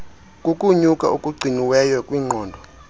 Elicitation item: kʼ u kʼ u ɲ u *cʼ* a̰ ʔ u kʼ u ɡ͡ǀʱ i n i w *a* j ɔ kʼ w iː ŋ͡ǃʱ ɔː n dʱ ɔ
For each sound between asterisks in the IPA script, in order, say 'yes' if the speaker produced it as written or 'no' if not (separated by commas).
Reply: no, no